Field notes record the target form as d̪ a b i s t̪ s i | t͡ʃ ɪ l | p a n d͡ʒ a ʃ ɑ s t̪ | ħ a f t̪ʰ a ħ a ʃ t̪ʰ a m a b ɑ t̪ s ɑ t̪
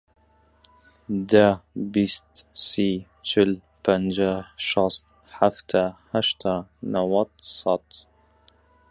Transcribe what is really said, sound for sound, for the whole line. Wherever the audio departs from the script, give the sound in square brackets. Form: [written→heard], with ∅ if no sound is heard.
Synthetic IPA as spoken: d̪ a b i s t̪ s i | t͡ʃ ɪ l | p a n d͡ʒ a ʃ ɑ s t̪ | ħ a f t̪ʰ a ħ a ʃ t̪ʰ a [m→n] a [b→w] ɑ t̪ s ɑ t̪

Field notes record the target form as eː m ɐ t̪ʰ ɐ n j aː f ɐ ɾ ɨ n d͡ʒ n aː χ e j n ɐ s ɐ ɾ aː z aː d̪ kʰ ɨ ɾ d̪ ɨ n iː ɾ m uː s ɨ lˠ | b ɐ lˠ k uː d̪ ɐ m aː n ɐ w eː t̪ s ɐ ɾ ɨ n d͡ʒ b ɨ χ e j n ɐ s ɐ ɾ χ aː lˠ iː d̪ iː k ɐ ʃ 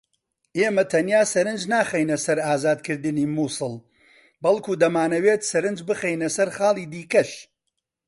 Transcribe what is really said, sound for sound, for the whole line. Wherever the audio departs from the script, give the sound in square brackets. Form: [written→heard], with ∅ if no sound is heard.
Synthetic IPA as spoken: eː m ɐ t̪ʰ ɐ n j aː [f→s] ɐ ɾ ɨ n d͡ʒ n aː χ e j n ɐ s ɐ ɾ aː z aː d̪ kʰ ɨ ɾ d̪ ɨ n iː [ɾ→∅] m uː s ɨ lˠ | b ɐ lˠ k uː d̪ ɐ m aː n ɐ w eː t̪ s ɐ ɾ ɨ n d͡ʒ b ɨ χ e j n ɐ s ɐ ɾ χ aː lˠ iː d̪ iː k ɐ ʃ

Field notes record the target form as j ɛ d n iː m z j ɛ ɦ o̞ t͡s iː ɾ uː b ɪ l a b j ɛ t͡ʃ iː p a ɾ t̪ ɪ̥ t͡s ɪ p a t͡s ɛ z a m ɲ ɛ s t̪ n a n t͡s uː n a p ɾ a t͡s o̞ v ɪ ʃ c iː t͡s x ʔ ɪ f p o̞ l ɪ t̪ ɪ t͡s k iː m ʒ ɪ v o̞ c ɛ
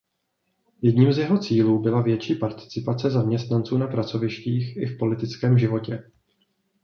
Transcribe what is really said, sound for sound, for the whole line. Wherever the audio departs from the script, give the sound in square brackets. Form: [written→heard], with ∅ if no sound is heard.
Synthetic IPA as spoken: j ɛ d [n→ɲ] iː m z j ɛ ɦ o̞ t͡s iː [ɾ→l] uː b ɪ l a [b→v] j ɛ t͡ʃ iː p a ɾ t̪ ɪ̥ t͡s ɪ p a t͡s ɛ z a m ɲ ɛ s t̪ n a n t͡s uː n a p ɾ a t͡s o̞ v ɪ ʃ c iː [t͡s→∅] x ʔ ɪ f p o̞ l ɪ t̪ ɪ t͡s k [iː→ɛː] m ʒ ɪ v o̞ c ɛ

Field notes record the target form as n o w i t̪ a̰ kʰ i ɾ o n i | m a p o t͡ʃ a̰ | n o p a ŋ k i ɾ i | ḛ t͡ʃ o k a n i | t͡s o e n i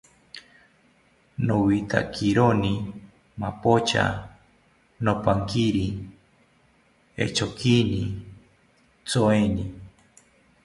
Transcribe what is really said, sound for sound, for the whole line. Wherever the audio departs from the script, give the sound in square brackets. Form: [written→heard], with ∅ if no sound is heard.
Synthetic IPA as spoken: n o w i t̪ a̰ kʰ i ɾ o n i | m a p o t͡ʃ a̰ | n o p a ŋ k i ɾ i | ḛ t͡ʃ o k [a→i] n i | t͡s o e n i

